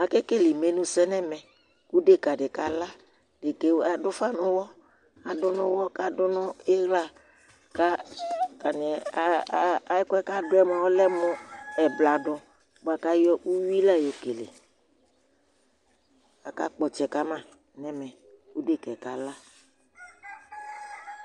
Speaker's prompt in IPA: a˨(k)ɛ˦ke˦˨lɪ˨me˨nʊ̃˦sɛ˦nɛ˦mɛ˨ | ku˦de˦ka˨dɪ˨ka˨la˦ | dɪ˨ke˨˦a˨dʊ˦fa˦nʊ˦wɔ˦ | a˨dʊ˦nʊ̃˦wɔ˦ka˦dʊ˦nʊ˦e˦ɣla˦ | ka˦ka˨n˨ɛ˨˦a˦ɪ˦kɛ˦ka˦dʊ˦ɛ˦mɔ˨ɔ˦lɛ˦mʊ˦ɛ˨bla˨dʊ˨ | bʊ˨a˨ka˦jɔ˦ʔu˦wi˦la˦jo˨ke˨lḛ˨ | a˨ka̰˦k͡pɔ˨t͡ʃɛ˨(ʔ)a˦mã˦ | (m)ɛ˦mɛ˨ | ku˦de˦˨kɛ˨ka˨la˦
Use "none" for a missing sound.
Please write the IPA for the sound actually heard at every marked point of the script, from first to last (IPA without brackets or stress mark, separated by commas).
k, k, n